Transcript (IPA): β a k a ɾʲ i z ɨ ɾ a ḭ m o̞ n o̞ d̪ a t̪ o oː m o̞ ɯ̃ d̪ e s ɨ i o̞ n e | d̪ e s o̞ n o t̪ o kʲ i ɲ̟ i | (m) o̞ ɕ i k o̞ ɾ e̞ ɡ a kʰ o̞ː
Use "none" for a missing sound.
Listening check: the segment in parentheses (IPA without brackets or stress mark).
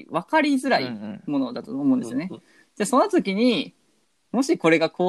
m